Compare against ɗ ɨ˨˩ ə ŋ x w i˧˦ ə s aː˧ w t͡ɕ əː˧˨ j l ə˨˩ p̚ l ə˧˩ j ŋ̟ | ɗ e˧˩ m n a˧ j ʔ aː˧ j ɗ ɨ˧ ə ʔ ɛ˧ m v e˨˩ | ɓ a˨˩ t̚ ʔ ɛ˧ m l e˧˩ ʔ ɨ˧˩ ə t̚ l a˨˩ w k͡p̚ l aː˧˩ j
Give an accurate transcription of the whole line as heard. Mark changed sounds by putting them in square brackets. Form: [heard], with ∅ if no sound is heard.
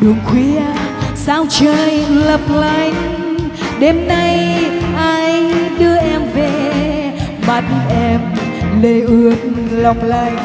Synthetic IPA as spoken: ɗ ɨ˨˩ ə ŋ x w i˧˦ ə s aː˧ w t͡ɕ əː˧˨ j l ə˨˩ p̚ l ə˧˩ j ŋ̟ | ɗ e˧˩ m n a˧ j ʔ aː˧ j ɗ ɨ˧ ə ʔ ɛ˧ m v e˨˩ | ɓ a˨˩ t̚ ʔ ɛ˧ m l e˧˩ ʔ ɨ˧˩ ə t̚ l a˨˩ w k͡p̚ l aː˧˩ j